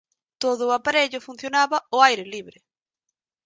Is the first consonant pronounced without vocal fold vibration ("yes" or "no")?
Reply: yes